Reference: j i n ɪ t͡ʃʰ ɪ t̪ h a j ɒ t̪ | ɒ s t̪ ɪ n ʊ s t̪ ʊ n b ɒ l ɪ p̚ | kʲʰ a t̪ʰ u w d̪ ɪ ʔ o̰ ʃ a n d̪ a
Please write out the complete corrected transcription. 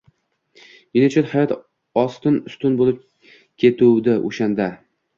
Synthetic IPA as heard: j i n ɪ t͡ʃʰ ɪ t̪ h a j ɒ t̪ | ɒ s t̪ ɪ n ʊ s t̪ ʊ n b o l ɪ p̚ | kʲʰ e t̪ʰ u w d̪ ɪ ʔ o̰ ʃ a n d̪ a